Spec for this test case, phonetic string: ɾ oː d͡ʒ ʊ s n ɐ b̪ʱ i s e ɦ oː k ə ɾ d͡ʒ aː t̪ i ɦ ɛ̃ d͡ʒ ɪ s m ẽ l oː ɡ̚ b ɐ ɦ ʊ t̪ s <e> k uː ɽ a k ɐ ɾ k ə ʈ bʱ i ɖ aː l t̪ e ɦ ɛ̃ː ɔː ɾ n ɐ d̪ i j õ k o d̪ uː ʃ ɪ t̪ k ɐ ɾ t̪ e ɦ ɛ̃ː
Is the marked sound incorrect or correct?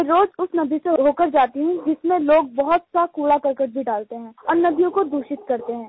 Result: incorrect